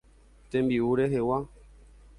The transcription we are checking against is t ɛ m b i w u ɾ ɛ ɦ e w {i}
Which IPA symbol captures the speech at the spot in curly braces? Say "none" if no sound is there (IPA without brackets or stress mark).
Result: a